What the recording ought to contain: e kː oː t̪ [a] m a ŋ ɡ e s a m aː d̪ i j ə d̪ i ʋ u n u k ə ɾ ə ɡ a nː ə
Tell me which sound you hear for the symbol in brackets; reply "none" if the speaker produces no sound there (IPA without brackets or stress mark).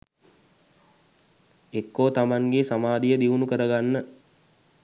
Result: a